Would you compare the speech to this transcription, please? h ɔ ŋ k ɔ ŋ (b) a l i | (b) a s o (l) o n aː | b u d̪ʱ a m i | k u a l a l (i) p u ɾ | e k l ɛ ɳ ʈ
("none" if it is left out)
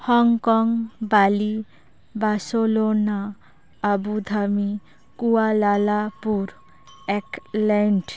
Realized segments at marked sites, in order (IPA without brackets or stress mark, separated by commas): b, b, l, a